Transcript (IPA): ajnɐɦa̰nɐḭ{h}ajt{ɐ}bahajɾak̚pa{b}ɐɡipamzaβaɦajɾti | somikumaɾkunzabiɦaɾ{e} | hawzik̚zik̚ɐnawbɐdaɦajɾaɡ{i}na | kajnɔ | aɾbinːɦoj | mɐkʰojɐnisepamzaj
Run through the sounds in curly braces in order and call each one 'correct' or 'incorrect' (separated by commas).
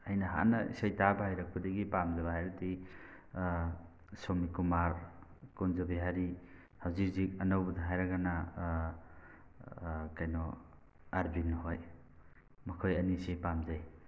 incorrect, incorrect, incorrect, incorrect, incorrect